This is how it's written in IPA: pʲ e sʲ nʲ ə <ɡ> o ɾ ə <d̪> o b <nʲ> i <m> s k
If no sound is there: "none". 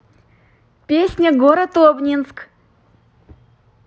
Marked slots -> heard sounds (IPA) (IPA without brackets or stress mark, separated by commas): ɡ, t̪, nʲ, n